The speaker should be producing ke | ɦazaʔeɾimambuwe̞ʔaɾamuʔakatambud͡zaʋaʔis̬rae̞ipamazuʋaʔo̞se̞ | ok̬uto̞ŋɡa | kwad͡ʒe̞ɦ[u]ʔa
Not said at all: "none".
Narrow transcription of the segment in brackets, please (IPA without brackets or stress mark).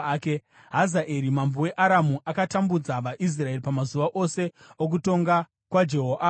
o